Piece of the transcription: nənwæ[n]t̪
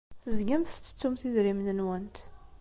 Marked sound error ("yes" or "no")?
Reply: no